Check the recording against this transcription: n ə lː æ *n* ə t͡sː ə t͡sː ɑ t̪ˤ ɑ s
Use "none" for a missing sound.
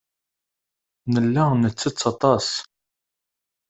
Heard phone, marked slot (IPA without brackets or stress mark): n